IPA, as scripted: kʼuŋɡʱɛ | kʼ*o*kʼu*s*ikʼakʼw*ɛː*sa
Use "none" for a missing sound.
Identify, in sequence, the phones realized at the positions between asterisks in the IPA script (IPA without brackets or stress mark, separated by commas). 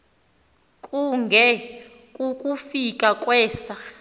u, f, ɛː